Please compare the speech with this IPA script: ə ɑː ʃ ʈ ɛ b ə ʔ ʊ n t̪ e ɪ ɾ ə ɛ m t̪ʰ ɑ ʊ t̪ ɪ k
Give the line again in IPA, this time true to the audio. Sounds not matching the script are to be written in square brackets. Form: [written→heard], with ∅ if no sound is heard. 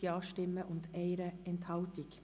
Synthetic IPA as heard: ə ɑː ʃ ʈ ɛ [b→m] ə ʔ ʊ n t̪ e ɪ ɾ ə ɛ [m→n] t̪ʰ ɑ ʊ t̪ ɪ k